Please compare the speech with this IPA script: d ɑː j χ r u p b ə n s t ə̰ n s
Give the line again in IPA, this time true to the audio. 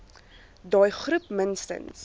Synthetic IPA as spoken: d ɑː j χ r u p m ə n s t ə̰ n s